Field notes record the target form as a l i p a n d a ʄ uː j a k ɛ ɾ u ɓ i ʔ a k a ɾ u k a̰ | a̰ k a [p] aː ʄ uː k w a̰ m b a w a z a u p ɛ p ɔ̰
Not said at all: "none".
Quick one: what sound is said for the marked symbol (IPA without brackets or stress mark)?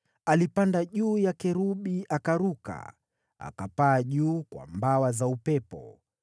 p